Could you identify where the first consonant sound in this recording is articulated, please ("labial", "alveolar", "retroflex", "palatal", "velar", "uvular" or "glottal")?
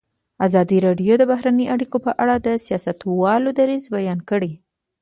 alveolar